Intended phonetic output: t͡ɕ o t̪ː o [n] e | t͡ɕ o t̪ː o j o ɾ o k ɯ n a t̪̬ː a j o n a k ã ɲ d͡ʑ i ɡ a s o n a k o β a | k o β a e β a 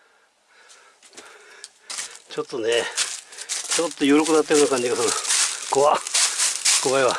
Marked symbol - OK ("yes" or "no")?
yes